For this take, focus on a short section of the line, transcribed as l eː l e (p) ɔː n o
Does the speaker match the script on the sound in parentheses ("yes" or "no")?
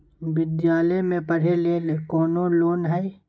no